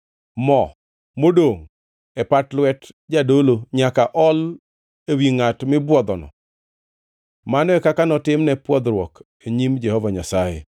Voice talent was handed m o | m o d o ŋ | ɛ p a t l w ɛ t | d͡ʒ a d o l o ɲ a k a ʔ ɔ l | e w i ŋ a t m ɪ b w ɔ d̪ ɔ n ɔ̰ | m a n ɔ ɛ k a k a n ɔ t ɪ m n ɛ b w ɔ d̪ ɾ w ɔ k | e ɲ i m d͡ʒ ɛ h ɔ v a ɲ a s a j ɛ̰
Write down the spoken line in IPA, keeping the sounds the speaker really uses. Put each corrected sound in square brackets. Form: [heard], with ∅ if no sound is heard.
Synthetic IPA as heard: m [ɔ] | m o d o ŋ | ɛ p a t l w ɛ t | d͡ʒ a d o l o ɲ a k a ʔ ɔ l | e w i ŋ a t m ɪ b w ɔ d̪ ɔ n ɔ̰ | m a n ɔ ɛ k a k a n ɔ t ɪ m n ɛ [p] w ɔ d̪ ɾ w ɔ k | e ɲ i m d͡ʒ ɛ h ɔ v a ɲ a s a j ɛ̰